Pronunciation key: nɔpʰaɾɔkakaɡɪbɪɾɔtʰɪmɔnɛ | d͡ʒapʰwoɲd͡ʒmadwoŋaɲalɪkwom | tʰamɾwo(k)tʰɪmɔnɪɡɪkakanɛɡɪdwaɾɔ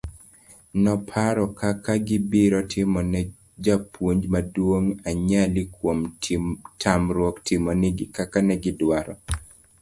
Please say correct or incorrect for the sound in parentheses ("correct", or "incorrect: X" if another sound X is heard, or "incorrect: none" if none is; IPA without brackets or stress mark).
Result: correct